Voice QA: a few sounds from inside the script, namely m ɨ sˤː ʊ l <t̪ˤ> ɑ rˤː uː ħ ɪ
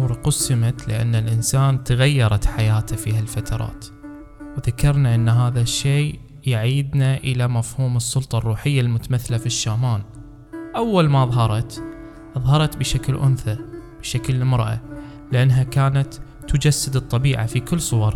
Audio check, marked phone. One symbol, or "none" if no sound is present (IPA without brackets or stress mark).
t̪ˤ